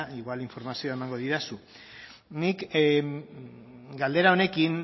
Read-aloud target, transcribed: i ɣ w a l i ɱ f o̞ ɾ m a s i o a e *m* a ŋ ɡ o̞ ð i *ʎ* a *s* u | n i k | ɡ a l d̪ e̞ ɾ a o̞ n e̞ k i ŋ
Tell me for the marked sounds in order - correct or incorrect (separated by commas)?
correct, incorrect, correct